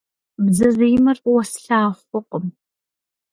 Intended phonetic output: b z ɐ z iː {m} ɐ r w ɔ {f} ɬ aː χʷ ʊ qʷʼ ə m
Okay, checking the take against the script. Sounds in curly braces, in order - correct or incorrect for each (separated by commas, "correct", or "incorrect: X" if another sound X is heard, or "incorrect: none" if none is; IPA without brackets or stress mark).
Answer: correct, incorrect: s